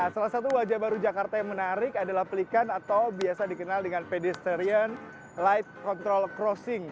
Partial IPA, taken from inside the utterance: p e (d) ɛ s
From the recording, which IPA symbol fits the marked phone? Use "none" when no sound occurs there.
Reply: d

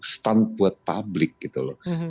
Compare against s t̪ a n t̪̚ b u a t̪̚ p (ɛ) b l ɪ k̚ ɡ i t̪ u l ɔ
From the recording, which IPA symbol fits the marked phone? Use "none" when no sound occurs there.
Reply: a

